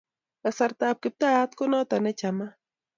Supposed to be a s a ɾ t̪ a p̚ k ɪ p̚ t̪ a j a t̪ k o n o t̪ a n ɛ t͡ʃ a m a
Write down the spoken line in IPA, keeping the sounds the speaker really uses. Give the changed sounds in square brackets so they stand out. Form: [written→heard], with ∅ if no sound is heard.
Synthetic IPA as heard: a s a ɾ t̪ a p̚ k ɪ p̚ t̪ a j a t̪ k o n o t̪ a n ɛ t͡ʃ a m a